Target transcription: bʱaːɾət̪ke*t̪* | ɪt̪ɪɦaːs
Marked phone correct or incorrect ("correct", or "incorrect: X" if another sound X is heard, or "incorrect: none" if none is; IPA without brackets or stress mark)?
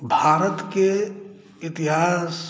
incorrect: none